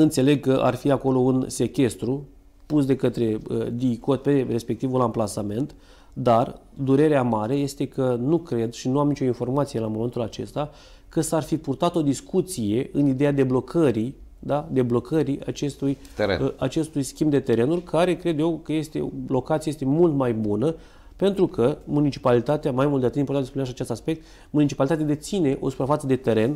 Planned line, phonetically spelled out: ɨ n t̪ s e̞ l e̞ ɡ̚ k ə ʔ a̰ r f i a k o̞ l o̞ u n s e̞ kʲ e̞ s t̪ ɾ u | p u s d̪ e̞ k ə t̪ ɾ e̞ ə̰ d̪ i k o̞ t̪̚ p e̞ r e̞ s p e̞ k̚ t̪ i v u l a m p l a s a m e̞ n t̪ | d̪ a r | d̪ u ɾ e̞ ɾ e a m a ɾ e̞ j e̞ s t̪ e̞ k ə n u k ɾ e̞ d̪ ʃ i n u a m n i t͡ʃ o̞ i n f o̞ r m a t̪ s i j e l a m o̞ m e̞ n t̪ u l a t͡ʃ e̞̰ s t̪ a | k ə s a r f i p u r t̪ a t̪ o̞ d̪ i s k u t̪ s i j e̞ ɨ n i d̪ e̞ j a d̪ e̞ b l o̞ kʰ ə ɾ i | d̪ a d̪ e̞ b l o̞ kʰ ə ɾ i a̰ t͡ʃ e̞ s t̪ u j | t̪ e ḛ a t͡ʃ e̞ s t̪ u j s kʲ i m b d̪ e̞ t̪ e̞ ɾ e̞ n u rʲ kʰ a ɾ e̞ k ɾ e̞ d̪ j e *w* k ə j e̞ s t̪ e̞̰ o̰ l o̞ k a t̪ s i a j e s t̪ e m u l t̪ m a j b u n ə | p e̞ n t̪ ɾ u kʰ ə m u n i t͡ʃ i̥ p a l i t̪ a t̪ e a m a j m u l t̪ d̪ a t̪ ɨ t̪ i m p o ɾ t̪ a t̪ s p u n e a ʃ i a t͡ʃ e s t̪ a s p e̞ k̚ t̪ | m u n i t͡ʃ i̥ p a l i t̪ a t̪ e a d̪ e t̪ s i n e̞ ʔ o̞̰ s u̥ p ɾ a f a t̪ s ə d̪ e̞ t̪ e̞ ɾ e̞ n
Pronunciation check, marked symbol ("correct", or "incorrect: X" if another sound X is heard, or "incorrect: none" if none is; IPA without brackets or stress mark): correct